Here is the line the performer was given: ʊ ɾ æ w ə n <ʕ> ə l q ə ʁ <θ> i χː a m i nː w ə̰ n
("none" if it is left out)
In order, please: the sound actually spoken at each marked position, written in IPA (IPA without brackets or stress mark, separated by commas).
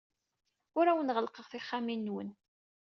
ʁ, θ